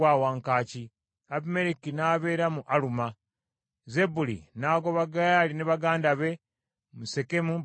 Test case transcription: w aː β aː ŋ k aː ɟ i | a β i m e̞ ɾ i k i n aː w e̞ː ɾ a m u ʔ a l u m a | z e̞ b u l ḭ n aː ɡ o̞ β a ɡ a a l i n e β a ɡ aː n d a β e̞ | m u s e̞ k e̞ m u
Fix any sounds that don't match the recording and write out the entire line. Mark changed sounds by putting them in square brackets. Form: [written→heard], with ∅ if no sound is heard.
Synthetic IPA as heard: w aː [β→w] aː ŋ k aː [ɟ→c] i | a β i m e̞ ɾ i k i n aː [w→β] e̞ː ɾ a m u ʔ a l u m a | z e̞ b u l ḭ n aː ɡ o̞ β a ɡ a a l i n e β a ɡ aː n d a β e̞ | m u s e̞ k e̞ m u